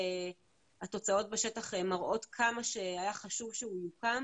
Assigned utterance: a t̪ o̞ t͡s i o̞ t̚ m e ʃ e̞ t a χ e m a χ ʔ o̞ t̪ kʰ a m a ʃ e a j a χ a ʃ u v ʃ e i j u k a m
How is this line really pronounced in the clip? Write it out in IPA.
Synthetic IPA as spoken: a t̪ o̞ t͡s a o̞ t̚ b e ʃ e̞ t a χ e m a ʁ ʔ o̞ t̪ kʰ a m a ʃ e a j a χ a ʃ u v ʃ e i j u k a m